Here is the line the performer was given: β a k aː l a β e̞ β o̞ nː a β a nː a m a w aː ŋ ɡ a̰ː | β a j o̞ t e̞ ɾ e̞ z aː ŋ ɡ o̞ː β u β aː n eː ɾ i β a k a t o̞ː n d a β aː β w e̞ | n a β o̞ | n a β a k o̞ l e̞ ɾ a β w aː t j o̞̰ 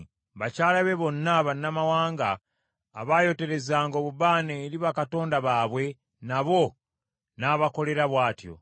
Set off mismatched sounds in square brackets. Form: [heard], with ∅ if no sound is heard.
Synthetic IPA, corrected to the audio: β a [c] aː l a β e̞ β o̞ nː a β a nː a m a w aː ŋ ɡ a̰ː | β a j o̞ t e̞ ɾ e̞ z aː ŋ ɡ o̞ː β u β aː n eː ɾ i β a k a t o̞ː n d a β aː β w e̞ | n a β o̞ | n a β a k o̞ l e̞ ɾ a β w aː t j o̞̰